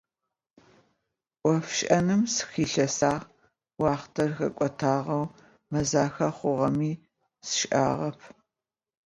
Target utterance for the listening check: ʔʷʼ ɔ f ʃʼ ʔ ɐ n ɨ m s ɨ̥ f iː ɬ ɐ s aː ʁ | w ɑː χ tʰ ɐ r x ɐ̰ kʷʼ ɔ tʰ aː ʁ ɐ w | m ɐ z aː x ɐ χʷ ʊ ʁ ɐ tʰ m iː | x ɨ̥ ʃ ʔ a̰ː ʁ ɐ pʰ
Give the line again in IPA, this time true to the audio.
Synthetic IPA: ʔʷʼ ɔ f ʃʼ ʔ ɐ n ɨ m s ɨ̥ x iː ɬ ɐ s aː ʁ | w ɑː χ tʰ ɐ r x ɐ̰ kʷʼ ɔ tʰ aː ʁ ɐ w | m ɐ z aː x ɐ χʷ ʊ ʁ ɐ m iː | s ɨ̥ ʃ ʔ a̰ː ʁ ɐ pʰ